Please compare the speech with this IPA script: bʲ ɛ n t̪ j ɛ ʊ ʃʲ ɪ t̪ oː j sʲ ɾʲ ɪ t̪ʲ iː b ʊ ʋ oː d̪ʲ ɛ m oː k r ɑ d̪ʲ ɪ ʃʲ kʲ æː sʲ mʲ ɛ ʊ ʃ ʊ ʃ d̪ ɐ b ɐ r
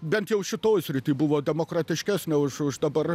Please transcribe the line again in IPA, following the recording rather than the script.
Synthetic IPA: bʲ ɛ n t̪ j ɛ ʊ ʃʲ ɪ t̪ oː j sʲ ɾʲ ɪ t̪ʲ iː b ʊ ʋ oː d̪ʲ ɛ m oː k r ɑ t̪ʲ ɪ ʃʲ kʲ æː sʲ nʲ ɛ ʊ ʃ ʊ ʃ d̪ ɐ b ɐ r